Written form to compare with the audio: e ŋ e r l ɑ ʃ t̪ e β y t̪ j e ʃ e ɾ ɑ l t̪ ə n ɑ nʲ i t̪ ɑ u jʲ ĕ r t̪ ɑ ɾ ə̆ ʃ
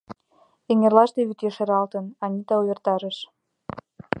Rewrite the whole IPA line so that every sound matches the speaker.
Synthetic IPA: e ŋ e r l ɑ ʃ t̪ e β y t̪ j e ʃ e ɾ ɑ l t̪ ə n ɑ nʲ i t̪ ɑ u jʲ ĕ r t̪ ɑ ɾ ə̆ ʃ